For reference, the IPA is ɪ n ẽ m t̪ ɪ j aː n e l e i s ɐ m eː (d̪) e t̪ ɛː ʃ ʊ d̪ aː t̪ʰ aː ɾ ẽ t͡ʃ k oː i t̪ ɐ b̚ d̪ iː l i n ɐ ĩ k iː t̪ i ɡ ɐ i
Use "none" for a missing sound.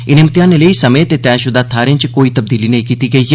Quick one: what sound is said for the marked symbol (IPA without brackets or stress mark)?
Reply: t̪